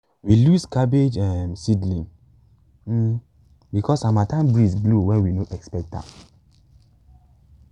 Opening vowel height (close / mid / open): close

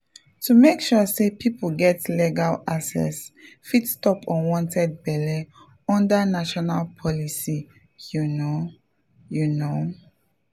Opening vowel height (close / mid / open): close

